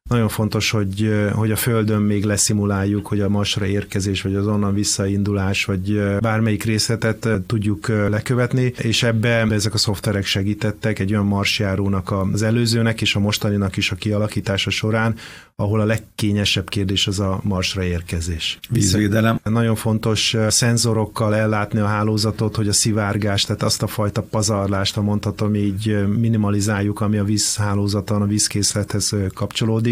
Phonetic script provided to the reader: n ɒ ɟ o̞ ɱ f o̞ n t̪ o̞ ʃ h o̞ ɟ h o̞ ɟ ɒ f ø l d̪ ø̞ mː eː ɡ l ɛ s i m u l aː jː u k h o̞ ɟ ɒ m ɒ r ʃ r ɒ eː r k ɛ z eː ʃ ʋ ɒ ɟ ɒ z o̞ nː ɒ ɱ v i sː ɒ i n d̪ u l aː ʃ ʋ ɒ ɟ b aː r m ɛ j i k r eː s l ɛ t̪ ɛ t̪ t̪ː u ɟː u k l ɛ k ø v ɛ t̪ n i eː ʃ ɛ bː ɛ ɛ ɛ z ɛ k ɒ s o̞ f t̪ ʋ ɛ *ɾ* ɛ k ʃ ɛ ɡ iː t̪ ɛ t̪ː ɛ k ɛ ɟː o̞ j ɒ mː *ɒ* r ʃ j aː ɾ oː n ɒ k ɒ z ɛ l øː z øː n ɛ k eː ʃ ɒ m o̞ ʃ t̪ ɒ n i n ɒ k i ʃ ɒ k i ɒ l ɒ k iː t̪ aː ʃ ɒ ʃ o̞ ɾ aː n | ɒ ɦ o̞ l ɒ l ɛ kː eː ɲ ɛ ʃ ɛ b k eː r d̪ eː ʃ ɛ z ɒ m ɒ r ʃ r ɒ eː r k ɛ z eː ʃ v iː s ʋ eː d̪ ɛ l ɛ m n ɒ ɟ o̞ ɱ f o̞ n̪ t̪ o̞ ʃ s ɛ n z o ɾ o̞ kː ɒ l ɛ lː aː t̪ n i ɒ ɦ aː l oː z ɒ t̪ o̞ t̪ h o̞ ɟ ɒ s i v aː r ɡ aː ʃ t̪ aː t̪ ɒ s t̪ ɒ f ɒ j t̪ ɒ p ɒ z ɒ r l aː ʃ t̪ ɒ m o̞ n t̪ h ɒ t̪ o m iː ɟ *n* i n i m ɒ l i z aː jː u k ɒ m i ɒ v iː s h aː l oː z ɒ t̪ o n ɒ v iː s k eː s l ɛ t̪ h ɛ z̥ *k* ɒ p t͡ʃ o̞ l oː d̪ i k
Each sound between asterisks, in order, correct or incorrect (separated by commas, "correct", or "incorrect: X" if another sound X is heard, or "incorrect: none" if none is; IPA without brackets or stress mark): correct, correct, incorrect: m, correct